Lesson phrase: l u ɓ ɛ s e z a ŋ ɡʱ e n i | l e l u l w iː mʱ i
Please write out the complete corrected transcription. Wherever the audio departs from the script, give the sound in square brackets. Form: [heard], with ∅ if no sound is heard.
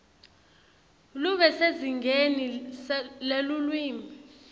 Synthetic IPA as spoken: l u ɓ ɛ s e z [i] ŋ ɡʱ e n i | l e l u l w iː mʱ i